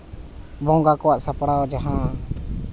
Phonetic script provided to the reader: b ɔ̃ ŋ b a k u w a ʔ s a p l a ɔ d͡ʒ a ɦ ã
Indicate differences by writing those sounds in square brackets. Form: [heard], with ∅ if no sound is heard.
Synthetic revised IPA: b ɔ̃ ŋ [ɡ] a k [ɔ] w a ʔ s a p [ɽ] a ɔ d͡ʒ a ɦ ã